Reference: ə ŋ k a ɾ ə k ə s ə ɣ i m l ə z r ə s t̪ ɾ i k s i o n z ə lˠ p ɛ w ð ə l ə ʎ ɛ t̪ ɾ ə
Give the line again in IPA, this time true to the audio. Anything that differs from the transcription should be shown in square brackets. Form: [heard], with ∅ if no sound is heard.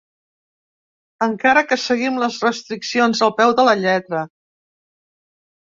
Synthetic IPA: ə ŋ k a ɾ ə k ə s ə ɣ i m l ə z r ə s t̪ ɾ i k s i o n z ə lˠ p ɛ w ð ə l ə ʎ ɛ t̪ ɾ ə